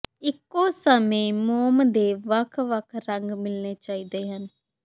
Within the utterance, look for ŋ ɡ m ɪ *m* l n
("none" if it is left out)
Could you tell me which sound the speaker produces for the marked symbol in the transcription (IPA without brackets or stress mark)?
none